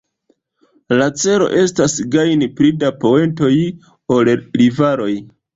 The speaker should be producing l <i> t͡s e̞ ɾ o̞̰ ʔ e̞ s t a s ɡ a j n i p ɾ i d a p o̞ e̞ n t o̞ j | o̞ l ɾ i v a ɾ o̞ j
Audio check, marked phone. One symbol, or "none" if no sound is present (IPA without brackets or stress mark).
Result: a